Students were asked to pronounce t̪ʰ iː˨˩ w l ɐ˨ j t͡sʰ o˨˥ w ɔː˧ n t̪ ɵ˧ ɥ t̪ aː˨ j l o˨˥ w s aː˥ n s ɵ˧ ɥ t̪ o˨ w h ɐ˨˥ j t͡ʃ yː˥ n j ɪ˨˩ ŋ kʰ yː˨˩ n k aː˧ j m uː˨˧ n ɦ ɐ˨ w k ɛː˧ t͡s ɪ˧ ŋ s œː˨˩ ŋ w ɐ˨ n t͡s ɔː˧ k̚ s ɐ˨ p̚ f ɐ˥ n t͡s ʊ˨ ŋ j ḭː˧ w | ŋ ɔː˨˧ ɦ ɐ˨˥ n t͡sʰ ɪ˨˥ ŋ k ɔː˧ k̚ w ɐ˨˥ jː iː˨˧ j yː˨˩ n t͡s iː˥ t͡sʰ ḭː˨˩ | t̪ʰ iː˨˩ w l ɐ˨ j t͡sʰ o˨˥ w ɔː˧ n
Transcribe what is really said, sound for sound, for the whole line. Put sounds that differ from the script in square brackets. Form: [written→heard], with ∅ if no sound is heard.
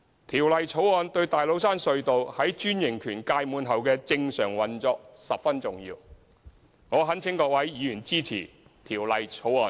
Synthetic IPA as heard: t̪ʰ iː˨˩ w l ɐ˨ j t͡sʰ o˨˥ w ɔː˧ n t̪ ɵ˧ ɥ t̪ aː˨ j l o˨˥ w s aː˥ n s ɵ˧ ɥ t̪ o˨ w h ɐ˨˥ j t͡ʃ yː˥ n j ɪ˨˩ ŋ kʰ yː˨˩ n k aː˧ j m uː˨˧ n ɦ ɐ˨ w k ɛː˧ t͡s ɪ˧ ŋ s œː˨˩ ŋ w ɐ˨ n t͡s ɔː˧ k̚ s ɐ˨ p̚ f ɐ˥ n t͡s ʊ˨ ŋ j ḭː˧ w | ŋ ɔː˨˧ ɦ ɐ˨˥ n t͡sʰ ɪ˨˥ ŋ k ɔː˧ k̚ w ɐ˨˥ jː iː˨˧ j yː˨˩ n t͡s iː˥ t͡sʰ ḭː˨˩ | t̪ʰ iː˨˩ w l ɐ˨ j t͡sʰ o˨˥ w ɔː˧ n